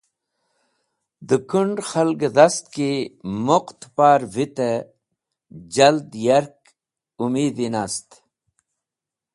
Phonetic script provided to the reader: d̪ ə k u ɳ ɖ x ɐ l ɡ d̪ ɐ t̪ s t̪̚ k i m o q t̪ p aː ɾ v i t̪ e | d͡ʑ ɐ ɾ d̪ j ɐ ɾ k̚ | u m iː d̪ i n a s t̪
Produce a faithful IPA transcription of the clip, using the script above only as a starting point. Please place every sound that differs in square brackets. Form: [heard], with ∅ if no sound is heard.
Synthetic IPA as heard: d̪ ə k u ɳ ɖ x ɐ l ɡ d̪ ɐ [∅] s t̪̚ k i m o q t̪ p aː ɾ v i t̪ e | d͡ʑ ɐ [l] d̪ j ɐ ɾ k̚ | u m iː d̪ i n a s t̪